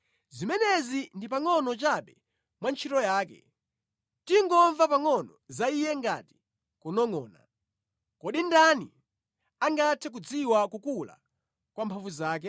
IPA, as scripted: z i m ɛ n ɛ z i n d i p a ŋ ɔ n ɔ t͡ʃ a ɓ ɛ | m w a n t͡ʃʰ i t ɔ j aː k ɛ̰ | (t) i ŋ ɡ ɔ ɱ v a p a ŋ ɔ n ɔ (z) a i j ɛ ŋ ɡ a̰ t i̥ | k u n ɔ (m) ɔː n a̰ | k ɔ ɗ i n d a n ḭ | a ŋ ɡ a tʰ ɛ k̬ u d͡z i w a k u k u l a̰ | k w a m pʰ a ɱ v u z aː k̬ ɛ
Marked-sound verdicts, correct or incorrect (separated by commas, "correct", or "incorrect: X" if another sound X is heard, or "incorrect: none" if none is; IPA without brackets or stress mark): correct, correct, incorrect: ŋ